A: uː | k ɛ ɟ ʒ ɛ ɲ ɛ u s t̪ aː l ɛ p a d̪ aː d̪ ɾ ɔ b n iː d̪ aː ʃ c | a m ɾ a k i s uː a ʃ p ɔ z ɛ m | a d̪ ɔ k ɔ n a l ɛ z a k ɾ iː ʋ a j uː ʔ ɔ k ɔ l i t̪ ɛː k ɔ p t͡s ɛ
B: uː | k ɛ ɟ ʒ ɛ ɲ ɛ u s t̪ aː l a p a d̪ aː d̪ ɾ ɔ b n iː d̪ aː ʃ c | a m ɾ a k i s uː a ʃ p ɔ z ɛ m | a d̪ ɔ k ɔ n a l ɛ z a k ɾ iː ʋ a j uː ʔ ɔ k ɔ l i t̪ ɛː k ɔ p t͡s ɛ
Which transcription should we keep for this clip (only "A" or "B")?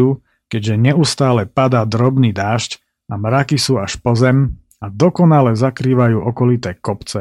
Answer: A